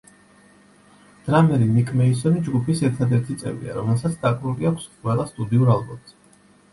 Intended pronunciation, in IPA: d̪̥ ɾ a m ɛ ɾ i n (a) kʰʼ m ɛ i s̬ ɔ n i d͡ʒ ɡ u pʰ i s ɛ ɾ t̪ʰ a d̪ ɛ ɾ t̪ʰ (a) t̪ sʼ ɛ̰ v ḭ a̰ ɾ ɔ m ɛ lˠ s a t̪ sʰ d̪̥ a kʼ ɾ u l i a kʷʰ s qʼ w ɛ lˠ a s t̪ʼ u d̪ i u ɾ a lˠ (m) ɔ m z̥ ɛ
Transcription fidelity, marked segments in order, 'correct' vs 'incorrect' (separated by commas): incorrect, incorrect, incorrect